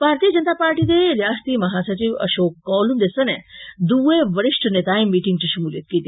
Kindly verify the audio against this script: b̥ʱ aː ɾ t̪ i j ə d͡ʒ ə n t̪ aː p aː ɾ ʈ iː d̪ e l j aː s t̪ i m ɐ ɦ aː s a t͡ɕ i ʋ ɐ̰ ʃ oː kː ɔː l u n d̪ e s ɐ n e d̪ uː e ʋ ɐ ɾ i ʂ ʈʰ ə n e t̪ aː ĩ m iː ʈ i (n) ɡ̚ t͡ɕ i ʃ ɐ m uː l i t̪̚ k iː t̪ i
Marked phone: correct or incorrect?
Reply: incorrect